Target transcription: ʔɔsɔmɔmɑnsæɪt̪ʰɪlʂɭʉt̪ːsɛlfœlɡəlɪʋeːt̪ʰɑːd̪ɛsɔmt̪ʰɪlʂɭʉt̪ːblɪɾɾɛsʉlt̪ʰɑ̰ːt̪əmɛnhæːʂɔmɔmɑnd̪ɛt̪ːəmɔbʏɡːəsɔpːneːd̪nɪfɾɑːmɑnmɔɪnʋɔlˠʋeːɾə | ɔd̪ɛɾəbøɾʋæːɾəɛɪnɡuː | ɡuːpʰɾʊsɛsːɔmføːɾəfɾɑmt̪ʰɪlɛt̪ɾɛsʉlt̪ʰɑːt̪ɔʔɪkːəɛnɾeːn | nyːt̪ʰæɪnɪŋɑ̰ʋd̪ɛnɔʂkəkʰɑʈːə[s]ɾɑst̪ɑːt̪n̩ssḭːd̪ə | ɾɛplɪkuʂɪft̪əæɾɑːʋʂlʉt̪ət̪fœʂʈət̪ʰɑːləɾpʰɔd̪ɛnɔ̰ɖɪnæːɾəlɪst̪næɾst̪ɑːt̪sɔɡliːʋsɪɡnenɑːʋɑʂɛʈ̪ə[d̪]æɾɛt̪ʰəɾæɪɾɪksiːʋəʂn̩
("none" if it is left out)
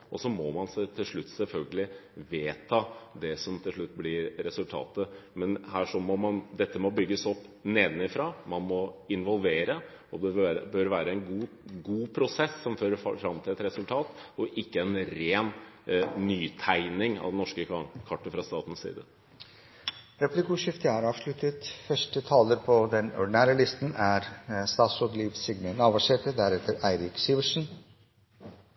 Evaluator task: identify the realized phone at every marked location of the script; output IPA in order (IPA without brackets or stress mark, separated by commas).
f, d̪